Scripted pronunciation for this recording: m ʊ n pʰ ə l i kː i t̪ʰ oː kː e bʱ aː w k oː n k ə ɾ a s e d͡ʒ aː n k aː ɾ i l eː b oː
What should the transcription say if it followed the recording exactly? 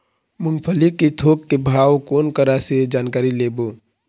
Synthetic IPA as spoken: m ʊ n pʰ ə l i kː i t̪ʰ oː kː e bʱ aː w k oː n k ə ɾ a s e d͡ʒ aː n k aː ɾ i l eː b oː